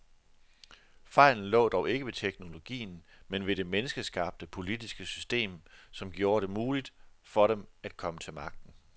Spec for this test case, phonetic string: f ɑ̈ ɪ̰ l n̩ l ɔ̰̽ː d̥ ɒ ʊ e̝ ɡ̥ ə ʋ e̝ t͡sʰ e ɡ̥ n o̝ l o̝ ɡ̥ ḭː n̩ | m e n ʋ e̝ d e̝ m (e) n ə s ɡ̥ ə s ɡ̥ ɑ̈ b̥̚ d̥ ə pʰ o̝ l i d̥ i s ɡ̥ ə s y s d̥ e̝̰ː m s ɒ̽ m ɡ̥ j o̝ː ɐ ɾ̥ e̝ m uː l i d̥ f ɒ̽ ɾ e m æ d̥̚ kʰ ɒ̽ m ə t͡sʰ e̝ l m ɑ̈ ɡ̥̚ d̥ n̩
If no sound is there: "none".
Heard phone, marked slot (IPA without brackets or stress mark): e